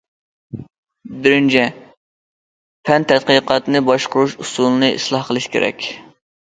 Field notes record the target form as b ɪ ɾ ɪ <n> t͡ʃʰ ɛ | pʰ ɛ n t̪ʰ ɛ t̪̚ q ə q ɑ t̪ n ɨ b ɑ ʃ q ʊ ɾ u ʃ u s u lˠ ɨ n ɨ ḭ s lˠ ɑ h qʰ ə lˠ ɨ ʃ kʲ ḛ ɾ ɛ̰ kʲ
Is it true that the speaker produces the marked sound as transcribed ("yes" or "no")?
yes